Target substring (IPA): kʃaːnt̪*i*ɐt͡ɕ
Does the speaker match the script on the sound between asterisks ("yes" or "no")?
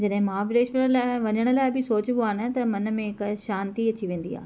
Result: yes